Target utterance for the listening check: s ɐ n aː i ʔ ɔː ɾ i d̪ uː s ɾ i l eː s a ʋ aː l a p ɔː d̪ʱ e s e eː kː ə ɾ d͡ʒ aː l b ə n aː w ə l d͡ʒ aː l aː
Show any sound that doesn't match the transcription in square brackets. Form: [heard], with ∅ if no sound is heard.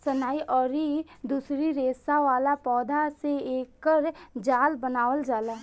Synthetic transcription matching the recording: s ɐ n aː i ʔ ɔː ɾ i d̪ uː s ɾ i [ɾ] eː s a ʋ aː l a p ɔː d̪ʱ [a] s e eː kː ə ɾ d͡ʒ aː l b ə n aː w ə l d͡ʒ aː l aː